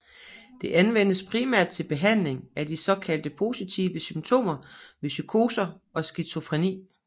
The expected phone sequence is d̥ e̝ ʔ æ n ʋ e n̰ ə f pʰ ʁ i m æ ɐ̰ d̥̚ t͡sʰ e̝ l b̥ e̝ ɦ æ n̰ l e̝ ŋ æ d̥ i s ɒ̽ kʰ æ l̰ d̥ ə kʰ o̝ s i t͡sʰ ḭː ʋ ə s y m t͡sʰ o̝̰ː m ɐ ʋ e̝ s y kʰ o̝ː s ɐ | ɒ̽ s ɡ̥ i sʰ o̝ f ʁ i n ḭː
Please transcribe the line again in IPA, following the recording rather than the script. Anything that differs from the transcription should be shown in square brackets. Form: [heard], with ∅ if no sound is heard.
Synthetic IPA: d̥ e̝ ʔ æ n ʋ e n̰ ə [s] pʰ ʁ i m æ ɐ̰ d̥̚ t͡sʰ e̝ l b̥ e̝ ɦ æ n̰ l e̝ ŋ æ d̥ i s ɒ̽ kʰ æ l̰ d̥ ə [pʰ] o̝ s i t͡sʰ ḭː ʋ ə s y m t͡sʰ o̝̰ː m ɐ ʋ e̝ s y kʰ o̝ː s ɐ | ɒ̽ s ɡ̥ i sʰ o̝ f ʁ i n ḭː